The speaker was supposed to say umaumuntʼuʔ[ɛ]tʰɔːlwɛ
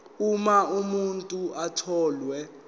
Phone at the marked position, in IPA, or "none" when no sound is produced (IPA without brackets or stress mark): a